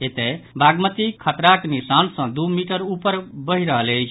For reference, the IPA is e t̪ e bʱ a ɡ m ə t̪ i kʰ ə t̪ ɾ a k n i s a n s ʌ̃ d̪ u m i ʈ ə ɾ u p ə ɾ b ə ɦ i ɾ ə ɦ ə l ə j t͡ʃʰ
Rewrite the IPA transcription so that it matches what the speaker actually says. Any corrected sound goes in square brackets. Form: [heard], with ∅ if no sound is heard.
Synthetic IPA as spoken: e t̪ e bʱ a ɡ m ə t̪ i kʰ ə t̪ ɾ a k n i s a n s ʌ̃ d̪ u m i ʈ ə ɾ u p ə ɾ b ə ɦ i ɾ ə ɦ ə l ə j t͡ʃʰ